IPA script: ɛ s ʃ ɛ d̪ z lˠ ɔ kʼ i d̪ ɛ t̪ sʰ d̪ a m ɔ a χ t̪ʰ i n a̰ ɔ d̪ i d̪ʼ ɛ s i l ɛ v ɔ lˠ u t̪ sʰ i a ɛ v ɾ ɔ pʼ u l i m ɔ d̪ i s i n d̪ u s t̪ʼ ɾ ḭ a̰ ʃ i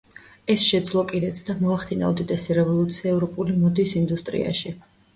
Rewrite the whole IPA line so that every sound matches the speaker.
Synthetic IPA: ɛ s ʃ ɛ d̪ z lˠ ɔ kʼ i d̪ ɛ t̪ sʰ d̪ a m ɔ a χ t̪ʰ i n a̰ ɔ d̪ i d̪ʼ ɛ s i ɾ ɛ v ɔ lˠ u t̪ sʰ i a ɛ v ɾ ɔ pʼ u l i m ɔ d̪ i s i n d̪ u s t̪ʼ ɾ ḭ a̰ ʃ i